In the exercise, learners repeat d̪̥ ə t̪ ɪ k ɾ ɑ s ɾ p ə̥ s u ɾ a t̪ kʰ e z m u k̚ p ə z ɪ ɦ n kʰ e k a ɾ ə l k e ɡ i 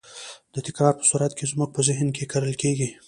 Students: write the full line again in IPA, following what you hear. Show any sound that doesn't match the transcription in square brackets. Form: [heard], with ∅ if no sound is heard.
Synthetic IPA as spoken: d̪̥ ə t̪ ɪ k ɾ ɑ [∅] ɾ p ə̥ s u ɾ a t̪ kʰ e z m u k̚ p ə z ɪ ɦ n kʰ e k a ɾ ə l k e ɡ i